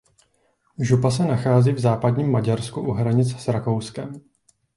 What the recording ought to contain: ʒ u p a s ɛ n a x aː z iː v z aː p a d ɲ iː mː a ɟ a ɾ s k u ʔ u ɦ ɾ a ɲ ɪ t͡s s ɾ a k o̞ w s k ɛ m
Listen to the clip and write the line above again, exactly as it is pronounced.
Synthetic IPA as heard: ʒ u p a s ɛ n a x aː z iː v z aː p a d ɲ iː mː a ɟ a ɾ s k u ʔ u ɦ ɾ a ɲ ɪ t͡s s ɾ a k o̞ w s k ɛ m